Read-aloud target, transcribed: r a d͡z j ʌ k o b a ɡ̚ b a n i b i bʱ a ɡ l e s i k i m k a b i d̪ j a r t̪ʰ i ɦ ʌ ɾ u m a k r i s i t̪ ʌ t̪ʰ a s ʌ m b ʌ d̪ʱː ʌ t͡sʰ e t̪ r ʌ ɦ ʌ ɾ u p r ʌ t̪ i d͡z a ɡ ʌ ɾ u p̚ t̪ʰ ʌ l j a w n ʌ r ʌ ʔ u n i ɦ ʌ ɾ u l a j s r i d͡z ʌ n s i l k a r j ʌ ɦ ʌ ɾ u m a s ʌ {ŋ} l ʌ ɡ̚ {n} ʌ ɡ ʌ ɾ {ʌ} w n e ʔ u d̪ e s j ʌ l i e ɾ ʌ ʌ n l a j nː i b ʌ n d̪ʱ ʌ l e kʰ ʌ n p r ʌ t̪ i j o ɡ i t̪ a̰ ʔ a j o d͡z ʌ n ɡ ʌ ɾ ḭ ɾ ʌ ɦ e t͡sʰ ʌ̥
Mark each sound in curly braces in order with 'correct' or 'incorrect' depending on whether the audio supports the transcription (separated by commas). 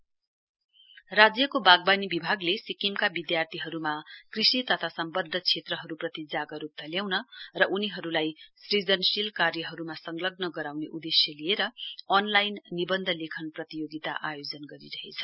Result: correct, correct, incorrect